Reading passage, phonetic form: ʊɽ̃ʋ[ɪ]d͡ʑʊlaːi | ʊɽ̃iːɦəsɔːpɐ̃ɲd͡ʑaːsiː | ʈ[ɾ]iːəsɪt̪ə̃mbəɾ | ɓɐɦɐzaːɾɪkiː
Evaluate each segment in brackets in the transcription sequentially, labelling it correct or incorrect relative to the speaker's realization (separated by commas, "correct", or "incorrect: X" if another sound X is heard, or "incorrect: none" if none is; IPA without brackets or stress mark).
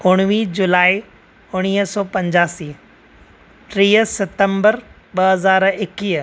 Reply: incorrect: i, correct